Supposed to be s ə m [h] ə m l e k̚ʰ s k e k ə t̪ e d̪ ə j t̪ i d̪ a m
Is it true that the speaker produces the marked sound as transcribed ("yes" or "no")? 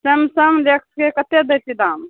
no